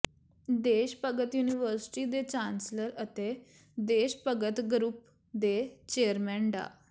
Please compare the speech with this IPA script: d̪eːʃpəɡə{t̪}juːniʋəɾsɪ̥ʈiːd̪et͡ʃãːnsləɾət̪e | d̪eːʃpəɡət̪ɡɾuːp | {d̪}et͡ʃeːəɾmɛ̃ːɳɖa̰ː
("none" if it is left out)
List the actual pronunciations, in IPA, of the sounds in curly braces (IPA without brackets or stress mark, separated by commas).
t̪, d̪